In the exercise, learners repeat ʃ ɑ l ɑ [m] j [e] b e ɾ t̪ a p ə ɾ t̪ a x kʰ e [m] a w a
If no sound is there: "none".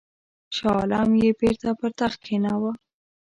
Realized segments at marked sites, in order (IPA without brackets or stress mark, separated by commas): m, e, n